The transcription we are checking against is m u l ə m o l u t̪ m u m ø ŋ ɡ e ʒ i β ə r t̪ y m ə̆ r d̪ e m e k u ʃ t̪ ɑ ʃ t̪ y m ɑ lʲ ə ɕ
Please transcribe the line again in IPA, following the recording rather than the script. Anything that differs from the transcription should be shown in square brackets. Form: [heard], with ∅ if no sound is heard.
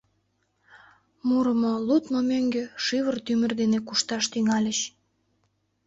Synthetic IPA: m u [ɾ] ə m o l u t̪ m [o] m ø ŋ ɡ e [ʃ] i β ə r t̪ y m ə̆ r d̪ e [n] e k u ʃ t̪ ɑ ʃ t̪ y [ŋ] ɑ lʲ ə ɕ